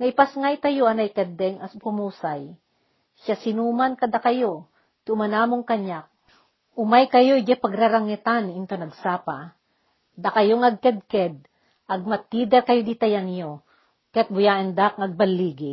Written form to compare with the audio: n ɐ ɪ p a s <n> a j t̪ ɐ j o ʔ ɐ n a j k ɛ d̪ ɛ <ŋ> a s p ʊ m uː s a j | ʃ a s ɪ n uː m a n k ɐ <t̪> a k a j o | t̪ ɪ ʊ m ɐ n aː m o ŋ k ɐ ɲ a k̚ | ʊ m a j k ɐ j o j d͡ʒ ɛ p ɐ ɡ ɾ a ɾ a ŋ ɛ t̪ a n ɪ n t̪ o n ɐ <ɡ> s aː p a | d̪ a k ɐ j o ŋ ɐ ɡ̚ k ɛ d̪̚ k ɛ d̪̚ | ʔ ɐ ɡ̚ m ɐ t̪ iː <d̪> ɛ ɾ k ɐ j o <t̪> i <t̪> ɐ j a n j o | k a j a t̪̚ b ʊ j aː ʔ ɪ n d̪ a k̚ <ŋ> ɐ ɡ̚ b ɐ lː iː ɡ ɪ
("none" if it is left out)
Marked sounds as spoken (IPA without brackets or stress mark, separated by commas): ŋ, ŋ, d̪, ɡ, d̪, d̪, t̪, ŋ